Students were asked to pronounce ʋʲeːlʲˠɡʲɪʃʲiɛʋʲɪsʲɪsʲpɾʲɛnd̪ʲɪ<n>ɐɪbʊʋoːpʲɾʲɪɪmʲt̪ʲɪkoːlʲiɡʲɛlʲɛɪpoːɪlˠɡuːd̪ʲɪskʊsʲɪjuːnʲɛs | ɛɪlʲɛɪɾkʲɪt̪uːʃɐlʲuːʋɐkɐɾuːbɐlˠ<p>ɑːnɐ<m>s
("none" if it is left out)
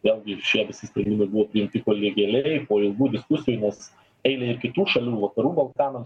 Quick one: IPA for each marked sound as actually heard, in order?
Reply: m, k, m

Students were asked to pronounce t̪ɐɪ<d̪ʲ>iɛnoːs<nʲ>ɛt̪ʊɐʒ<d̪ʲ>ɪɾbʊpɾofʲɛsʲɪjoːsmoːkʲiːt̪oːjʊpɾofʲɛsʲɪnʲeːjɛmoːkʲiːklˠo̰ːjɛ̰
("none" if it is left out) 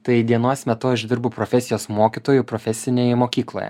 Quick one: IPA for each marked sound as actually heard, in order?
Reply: d̪ʲ, mʲ, d̪ʲ

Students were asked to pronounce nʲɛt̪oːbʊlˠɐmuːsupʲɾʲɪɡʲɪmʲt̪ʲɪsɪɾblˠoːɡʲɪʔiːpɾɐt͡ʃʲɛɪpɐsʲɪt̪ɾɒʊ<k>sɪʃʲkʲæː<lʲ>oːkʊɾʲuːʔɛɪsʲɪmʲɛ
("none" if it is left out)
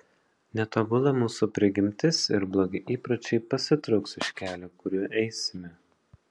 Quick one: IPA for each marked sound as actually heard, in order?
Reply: k, lʲ

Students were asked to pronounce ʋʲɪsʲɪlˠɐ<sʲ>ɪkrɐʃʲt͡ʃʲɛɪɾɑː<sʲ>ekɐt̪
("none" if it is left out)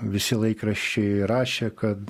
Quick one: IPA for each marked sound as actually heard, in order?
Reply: none, ʃʲ

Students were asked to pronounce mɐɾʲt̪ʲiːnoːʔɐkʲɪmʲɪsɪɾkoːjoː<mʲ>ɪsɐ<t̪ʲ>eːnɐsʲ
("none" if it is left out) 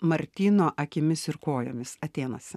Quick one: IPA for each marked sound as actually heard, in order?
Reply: mʲ, t̪ʲ

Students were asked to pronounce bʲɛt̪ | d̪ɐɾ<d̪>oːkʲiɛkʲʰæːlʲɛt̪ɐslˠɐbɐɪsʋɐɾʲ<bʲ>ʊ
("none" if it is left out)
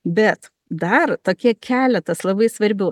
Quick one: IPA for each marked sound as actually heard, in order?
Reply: t̪, bʲ

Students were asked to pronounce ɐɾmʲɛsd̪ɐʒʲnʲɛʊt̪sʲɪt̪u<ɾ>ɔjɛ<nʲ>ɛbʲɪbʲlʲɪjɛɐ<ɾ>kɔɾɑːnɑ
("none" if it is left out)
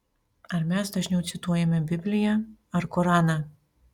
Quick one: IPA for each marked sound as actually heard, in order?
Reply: none, mʲ, ɾ

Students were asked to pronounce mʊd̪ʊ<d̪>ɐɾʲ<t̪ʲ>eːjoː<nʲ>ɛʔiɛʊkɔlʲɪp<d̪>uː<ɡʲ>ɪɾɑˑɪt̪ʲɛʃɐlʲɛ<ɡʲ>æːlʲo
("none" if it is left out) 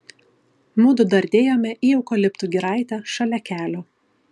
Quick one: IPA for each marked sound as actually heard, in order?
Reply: d̪, d̪ʲ, mʲ, t̪, ɡʲ, kʲ

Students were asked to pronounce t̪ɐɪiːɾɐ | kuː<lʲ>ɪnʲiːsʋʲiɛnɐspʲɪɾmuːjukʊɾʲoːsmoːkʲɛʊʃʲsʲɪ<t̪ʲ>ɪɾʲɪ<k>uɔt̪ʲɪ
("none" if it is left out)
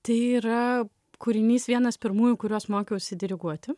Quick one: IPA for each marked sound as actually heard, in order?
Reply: ɾʲ, d̪ʲ, ɡ

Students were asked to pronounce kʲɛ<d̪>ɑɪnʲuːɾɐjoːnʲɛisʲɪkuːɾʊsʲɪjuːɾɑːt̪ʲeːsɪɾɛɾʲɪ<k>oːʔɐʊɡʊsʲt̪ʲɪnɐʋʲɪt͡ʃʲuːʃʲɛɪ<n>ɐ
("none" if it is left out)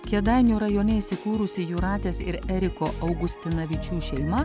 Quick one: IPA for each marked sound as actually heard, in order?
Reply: d̪, k, m

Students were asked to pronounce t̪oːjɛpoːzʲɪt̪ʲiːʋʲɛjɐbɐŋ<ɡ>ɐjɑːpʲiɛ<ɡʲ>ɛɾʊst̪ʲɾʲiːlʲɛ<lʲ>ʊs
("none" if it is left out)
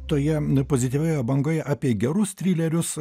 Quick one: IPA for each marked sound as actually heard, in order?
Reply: ɡ, ɡʲ, ɾʲ

